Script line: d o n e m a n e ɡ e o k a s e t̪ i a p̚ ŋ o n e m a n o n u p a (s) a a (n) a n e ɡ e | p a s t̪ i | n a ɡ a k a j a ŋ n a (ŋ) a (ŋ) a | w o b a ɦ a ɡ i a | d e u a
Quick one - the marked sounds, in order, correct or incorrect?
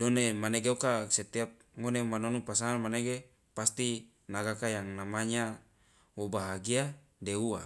correct, incorrect: m, incorrect: m, incorrect: ɲ

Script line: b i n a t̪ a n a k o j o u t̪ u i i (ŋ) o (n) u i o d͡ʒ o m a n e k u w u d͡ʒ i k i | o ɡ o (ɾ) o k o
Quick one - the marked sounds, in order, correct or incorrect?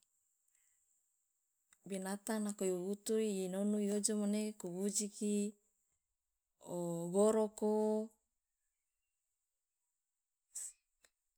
incorrect: n, correct, correct

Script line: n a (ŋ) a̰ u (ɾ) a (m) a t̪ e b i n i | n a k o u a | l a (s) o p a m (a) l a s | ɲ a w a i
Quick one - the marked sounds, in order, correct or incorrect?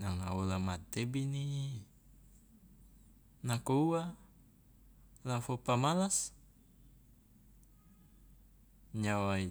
correct, incorrect: l, correct, incorrect: f, correct

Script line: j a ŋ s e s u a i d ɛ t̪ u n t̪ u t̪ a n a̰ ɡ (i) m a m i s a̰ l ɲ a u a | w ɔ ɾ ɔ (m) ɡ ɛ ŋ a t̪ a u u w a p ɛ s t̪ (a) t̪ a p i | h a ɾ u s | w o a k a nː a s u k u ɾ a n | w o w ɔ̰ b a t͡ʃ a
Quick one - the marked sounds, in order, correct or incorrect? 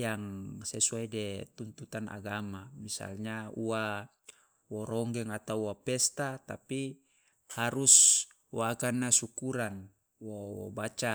incorrect: a, incorrect: ŋ, correct

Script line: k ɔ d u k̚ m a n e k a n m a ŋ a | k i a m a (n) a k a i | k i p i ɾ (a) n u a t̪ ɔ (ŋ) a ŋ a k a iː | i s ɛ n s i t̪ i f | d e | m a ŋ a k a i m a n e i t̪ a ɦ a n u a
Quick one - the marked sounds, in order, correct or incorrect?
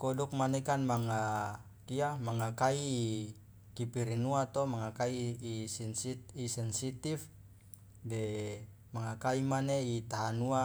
incorrect: ŋ, incorrect: i, incorrect: m

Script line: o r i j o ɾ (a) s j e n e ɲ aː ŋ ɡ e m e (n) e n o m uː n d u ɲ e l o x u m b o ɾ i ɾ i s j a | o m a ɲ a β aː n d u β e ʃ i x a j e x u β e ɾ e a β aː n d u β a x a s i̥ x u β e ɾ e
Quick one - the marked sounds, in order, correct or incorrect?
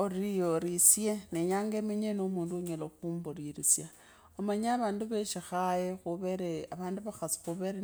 incorrect: i, incorrect: ɲ

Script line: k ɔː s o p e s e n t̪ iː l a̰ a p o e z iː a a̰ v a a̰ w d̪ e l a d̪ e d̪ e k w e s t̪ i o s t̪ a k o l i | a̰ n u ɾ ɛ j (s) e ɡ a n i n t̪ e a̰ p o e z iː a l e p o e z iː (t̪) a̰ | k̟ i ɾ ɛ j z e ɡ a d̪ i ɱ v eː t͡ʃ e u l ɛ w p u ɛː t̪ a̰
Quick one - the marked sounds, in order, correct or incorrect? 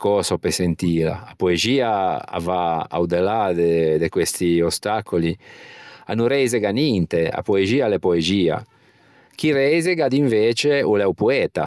incorrect: z, incorrect: none

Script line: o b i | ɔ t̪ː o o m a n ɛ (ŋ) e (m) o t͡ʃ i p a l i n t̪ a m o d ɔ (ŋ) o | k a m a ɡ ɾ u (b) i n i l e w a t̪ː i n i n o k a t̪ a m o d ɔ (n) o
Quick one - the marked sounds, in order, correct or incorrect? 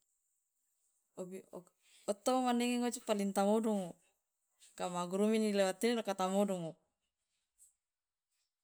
correct, incorrect: ŋ, correct, incorrect: m, incorrect: ŋ

